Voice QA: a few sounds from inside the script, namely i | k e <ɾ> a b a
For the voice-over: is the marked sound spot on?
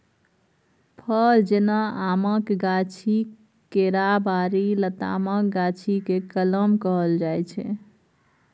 yes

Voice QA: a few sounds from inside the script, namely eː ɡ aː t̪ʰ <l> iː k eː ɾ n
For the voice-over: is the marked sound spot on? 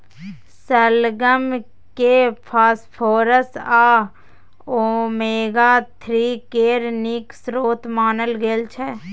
no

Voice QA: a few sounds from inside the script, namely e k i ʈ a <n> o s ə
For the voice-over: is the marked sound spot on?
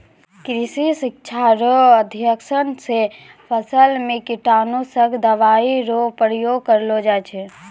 yes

